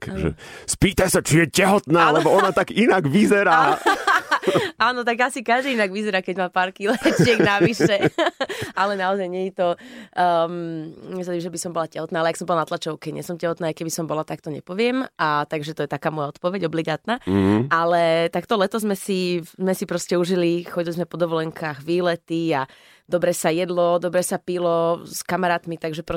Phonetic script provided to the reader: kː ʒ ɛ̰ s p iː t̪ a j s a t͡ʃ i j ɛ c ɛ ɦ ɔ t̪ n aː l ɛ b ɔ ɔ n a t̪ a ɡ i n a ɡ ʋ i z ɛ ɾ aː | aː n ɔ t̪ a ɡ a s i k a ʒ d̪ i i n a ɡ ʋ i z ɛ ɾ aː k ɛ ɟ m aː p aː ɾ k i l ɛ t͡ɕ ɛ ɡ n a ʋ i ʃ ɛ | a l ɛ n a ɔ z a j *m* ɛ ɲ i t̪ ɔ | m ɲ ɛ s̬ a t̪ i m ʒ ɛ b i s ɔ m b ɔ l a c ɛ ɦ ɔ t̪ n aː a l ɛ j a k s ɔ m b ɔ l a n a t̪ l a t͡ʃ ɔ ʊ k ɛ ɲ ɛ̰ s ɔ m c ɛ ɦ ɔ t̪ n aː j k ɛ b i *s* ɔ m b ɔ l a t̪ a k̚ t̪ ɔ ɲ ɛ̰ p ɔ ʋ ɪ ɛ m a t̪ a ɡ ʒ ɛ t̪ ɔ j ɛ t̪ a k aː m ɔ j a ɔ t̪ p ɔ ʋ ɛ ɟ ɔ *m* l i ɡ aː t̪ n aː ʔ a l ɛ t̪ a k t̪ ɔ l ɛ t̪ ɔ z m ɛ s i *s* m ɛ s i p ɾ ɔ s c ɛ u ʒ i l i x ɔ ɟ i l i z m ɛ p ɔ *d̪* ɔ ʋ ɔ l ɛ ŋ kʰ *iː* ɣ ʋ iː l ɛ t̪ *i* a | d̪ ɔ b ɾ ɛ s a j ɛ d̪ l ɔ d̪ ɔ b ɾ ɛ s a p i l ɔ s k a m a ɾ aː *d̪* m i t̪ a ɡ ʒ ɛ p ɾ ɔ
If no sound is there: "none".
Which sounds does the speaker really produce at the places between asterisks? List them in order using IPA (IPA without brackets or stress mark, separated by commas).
ɲ, s, b, z, d̪, aː, i, t̪